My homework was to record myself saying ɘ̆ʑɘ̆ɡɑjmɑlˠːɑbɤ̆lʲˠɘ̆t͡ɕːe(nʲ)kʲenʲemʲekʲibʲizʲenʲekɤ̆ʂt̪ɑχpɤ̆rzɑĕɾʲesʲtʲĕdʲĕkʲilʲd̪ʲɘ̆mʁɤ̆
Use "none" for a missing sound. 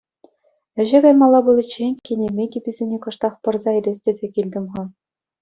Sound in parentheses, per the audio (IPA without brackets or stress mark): nʲ